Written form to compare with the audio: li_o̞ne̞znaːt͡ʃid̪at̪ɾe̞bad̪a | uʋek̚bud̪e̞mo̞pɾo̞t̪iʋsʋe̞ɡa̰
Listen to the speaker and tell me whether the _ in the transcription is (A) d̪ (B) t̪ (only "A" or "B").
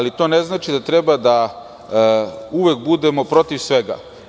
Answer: B